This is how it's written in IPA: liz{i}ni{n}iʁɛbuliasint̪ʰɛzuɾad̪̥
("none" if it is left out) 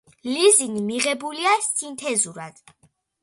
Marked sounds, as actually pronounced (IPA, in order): i, m

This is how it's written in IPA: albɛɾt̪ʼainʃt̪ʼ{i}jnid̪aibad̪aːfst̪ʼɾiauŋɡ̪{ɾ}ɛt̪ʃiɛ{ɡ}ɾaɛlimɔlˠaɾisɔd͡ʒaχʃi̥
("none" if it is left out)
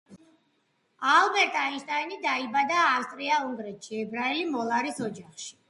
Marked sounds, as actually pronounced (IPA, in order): a, ɾ, b

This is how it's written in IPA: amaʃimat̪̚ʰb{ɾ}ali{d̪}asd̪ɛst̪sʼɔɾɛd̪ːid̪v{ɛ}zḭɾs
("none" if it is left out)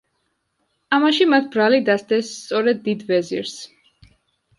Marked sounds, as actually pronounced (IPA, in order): ɾ, d̪, ɛ

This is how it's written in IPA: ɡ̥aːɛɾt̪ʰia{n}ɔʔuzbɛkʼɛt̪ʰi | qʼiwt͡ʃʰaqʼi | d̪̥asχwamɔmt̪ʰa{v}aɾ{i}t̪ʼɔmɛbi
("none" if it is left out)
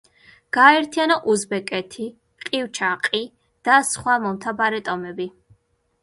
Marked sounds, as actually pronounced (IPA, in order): n, b, ɛ

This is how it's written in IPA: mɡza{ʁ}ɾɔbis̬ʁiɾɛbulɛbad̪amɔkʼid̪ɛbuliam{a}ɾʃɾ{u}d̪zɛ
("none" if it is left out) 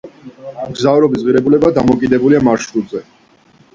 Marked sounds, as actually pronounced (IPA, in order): v, a, u

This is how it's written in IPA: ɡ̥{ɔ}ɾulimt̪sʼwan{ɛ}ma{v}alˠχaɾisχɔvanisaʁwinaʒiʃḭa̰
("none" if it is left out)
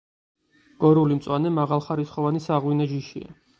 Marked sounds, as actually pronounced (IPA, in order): ɔ, ɛ, ʁ

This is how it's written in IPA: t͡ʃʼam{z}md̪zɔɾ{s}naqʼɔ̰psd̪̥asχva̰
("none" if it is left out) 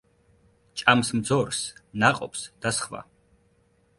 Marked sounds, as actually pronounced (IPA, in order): s, s

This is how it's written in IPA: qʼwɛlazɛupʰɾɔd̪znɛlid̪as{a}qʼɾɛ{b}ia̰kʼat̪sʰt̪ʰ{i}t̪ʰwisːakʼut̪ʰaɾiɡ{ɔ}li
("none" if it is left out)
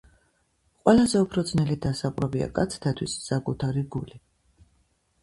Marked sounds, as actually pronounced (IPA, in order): a, b, a, u

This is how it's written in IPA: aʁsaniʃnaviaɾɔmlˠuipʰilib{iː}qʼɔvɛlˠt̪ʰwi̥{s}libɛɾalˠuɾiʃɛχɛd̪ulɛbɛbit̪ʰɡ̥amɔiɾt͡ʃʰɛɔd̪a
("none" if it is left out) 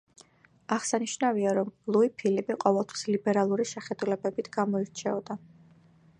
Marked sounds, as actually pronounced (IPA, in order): i, s

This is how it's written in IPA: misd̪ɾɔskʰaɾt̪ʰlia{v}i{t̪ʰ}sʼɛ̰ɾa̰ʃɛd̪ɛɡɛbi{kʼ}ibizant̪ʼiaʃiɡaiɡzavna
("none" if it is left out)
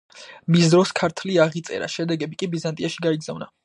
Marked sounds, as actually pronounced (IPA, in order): ʁ, t̪, kʼ

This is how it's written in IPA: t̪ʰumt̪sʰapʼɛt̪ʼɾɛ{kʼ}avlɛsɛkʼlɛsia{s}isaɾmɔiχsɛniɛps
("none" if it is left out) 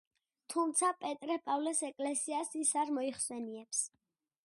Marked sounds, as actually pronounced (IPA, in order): pʼ, s

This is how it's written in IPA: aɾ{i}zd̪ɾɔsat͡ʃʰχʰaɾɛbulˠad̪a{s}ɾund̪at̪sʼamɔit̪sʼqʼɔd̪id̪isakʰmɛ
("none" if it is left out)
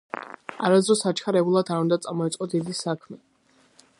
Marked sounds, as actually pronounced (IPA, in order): a, none

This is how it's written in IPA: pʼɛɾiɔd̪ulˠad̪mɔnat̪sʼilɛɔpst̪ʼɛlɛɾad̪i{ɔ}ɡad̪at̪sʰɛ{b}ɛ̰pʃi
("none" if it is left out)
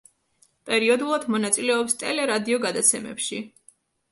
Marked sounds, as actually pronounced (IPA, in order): ɔ, m

